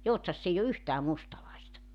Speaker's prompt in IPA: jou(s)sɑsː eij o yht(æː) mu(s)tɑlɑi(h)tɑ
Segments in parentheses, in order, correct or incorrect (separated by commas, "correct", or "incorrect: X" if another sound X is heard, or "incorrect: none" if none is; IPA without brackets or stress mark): incorrect: t, correct, correct, incorrect: s